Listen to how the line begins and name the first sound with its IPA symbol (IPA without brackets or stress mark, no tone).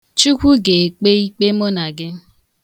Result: t͡ʃ